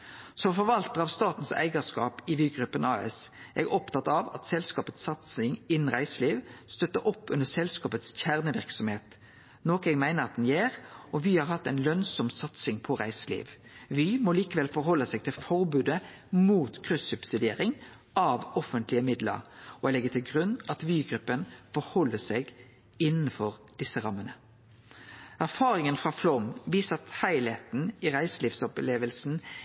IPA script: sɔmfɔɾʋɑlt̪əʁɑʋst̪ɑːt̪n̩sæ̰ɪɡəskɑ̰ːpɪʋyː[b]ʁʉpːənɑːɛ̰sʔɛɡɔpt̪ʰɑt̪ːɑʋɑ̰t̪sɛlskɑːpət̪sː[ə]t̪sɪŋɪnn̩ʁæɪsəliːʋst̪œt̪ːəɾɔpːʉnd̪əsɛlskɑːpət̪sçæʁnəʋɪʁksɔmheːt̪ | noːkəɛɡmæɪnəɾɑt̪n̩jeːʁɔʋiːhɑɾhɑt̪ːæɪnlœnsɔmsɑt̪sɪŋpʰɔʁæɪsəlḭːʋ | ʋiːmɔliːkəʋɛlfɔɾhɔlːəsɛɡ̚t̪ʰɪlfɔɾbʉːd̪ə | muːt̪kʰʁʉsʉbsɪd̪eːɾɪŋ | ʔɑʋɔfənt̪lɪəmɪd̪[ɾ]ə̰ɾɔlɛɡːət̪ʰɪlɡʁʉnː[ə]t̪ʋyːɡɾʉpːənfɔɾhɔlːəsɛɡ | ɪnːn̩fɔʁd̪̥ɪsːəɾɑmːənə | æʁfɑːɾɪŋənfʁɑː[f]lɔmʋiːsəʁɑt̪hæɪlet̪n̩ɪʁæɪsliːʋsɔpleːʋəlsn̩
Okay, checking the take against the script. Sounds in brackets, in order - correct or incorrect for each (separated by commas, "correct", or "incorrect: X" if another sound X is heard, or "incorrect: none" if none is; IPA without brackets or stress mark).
incorrect: ɡ, incorrect: ɑ, incorrect: l, incorrect: ɑ, correct